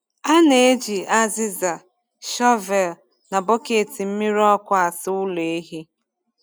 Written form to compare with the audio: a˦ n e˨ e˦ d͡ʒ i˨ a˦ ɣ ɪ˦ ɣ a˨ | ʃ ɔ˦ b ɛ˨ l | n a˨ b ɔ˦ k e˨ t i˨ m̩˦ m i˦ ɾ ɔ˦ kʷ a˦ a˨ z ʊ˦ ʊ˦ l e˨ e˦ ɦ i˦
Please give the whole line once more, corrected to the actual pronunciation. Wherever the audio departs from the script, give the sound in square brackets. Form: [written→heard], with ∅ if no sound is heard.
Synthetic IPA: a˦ n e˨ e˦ d͡ʒ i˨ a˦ [ɣ→z] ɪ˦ [ɣ→z] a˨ | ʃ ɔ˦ [b→v] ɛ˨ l | n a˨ b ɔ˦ k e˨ t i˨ m̩˦ m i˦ ɾ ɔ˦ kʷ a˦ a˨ [z→s] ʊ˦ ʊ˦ l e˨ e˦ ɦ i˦